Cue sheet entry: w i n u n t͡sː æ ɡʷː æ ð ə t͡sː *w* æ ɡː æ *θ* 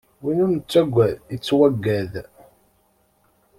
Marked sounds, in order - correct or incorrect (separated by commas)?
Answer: correct, incorrect